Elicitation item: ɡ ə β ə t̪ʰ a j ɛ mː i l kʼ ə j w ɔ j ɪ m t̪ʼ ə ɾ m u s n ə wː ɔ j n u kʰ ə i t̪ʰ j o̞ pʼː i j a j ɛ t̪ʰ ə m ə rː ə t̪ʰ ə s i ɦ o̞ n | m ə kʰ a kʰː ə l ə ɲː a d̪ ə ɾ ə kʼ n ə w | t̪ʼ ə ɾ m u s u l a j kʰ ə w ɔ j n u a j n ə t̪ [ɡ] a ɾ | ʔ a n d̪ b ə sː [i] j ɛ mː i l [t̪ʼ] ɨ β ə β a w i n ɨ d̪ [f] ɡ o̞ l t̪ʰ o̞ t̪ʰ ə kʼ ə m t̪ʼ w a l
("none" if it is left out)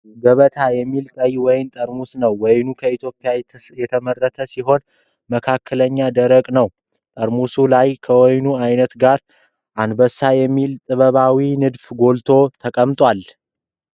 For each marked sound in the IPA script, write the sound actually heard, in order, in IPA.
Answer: ɡ, a, t̪ʼ, f

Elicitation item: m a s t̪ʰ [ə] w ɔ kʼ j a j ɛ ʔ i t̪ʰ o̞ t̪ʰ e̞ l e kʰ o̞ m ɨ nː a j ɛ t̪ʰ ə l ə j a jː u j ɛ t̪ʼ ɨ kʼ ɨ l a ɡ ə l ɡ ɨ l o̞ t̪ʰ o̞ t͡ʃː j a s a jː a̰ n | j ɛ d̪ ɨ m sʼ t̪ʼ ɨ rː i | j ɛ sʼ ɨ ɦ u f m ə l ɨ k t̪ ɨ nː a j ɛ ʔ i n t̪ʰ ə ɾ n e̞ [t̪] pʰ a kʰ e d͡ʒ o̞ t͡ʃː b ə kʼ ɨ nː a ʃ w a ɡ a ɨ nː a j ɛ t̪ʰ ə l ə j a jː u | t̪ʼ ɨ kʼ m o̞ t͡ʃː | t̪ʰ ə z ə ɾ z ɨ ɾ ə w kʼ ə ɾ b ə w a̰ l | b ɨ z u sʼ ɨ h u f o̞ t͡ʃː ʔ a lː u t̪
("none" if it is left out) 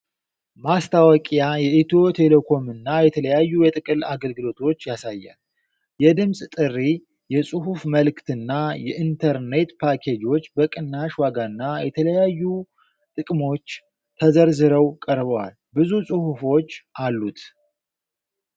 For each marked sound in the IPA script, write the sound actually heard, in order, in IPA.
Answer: a, t̪

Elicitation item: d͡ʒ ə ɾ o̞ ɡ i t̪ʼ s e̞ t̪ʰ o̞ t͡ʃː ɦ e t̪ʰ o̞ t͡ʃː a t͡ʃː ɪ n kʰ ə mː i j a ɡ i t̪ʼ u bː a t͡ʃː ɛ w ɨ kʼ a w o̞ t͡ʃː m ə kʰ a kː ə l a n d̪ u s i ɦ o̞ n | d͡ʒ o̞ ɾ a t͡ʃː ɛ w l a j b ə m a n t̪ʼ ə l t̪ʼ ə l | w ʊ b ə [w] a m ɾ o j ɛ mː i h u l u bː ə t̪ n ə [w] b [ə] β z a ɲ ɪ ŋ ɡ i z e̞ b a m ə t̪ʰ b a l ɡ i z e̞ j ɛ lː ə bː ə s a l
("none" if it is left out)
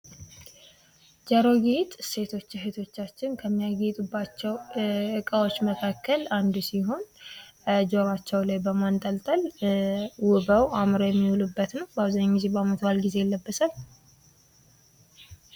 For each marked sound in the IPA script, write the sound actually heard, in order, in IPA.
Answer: w, w, a

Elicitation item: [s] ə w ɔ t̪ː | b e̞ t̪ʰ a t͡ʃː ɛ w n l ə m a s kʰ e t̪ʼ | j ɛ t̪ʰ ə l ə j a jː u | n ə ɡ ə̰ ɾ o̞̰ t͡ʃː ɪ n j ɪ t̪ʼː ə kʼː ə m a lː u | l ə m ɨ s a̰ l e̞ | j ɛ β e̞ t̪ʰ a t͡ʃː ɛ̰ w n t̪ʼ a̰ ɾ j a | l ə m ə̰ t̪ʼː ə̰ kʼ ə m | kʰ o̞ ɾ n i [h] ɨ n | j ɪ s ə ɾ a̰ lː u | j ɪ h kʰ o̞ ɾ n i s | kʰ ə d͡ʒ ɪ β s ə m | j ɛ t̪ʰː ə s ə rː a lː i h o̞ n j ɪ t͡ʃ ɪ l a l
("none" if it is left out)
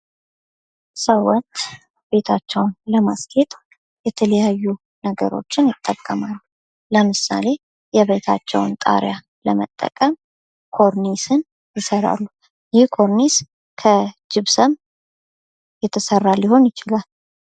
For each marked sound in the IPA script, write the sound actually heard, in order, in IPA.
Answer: s, s

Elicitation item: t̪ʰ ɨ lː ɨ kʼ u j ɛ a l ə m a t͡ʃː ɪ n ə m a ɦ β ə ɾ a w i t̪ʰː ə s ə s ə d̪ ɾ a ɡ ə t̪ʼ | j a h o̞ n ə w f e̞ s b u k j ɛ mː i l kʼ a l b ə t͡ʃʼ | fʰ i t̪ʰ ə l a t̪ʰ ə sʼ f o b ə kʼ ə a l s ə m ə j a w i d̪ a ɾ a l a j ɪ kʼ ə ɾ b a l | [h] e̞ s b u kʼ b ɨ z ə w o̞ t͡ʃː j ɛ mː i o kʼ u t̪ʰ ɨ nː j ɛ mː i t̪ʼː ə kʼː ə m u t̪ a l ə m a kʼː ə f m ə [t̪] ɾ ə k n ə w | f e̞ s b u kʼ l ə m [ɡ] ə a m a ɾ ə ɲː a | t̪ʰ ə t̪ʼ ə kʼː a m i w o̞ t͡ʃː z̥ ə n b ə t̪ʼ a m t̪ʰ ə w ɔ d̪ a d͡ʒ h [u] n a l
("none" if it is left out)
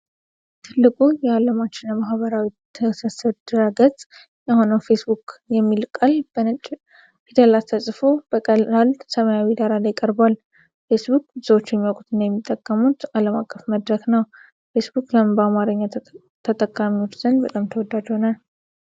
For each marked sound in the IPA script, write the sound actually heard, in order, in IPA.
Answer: f, d̪, b, o

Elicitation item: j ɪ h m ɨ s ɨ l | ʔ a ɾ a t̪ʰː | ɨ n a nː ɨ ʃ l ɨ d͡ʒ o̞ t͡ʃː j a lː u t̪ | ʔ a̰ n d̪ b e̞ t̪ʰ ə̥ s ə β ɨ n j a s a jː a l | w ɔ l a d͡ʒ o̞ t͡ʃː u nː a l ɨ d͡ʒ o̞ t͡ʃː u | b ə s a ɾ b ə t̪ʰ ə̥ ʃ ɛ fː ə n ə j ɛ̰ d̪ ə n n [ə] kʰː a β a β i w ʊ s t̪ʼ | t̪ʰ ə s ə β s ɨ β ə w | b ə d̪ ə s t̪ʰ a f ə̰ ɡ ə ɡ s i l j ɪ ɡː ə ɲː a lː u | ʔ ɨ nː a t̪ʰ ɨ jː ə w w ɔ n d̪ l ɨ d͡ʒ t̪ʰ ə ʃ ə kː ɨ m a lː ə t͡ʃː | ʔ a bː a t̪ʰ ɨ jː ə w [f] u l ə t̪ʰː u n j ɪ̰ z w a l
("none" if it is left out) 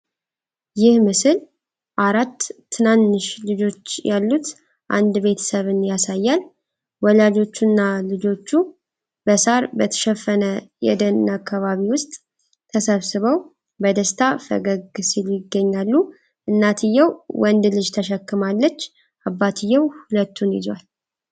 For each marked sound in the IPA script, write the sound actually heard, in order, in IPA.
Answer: a, h

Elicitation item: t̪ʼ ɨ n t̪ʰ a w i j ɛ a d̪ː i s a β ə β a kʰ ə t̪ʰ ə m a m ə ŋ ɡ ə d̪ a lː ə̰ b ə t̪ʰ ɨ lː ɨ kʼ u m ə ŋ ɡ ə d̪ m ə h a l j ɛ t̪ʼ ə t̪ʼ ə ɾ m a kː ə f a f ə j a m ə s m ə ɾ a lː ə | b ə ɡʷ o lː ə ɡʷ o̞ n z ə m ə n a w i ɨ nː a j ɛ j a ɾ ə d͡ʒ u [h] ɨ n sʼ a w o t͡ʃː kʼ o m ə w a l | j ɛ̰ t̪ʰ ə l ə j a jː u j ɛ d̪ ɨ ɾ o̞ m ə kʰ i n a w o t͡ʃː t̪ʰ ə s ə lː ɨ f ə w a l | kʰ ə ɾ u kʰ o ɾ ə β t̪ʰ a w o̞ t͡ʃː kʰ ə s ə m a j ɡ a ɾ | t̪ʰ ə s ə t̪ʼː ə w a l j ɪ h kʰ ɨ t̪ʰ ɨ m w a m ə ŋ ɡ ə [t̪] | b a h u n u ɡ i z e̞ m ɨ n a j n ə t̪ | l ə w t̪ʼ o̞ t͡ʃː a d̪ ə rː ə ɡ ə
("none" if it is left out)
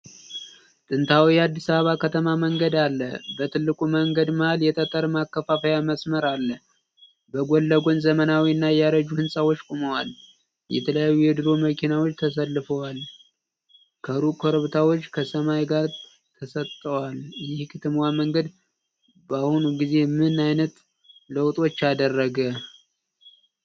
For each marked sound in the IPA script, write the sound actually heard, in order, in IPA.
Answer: h, d̪

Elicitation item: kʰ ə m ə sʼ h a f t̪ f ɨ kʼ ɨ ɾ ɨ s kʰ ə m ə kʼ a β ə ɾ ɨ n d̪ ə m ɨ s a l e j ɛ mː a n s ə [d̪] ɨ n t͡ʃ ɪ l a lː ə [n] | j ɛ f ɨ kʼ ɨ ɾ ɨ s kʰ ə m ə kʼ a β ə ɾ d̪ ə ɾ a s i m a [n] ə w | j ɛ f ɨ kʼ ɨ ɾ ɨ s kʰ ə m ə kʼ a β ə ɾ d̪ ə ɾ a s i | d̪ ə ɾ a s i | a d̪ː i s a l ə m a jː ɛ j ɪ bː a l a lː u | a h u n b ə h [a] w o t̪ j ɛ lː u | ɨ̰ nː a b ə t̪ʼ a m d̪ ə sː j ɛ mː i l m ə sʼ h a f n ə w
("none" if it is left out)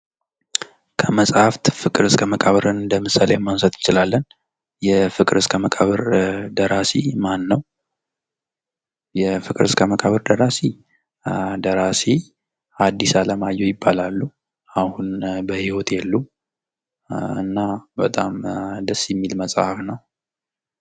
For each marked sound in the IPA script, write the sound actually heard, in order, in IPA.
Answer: t̪, n, nː, i

